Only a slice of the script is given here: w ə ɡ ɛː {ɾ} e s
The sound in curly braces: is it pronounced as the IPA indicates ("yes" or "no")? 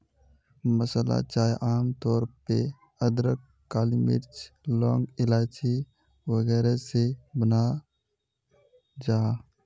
yes